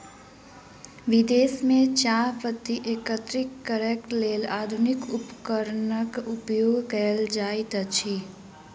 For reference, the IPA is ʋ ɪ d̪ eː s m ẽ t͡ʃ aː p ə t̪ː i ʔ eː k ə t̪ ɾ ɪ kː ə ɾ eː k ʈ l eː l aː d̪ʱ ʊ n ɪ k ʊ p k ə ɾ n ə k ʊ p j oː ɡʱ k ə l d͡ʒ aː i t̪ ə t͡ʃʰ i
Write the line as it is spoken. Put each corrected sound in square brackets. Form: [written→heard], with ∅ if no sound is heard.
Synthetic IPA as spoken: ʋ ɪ d̪ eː s m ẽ t͡ʃ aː p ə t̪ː i ʔ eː k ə t̪ ɾ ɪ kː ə ɾ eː k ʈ l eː l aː d̪ʱ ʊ n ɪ k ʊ p k ə ɾ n ə k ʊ p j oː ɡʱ k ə l d͡ʒ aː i t̪ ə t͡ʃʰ i